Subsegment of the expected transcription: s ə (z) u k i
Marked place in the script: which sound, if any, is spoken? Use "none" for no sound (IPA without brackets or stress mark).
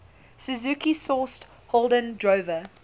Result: z